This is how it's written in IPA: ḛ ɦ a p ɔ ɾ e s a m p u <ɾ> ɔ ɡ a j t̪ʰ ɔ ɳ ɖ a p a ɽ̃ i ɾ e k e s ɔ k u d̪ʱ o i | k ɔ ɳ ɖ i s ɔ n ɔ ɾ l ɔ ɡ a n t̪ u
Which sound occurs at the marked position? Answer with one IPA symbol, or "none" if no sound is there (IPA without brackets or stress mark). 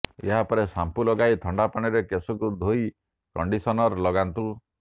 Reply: l